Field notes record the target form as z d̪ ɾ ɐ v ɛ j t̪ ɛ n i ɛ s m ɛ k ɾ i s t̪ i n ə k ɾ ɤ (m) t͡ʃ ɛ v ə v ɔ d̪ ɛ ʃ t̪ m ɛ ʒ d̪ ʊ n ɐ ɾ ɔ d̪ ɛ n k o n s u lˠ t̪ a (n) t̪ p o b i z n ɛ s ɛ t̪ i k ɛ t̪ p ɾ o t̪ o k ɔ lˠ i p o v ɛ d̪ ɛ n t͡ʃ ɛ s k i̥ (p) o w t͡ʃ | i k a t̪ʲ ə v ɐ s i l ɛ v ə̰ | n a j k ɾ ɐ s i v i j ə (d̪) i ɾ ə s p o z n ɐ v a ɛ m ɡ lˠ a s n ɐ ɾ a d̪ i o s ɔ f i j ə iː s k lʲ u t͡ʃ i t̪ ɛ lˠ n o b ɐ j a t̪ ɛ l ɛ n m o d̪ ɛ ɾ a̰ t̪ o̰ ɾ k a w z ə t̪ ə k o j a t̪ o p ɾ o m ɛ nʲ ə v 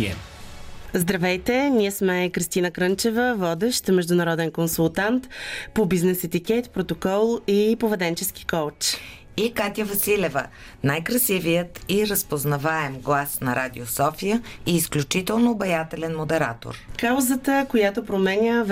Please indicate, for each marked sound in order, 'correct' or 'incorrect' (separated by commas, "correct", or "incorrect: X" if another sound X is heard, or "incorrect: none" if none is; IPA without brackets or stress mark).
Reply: incorrect: n, correct, incorrect: k, incorrect: t̪